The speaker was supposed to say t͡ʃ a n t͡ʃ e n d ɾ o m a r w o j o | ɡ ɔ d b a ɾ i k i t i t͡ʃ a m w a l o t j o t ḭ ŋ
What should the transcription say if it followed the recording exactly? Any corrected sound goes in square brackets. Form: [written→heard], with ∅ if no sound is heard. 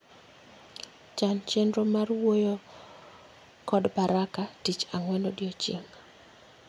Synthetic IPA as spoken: t͡ʃ a n t͡ʃ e n d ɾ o m a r w o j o | [ɡ→k] ɔ d b a ɾ [i→a] k [i→a] t i t͡ʃ a [m→ŋ] w [a→ɛ] l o [t→d] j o [t→t͡ʃ] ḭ ŋ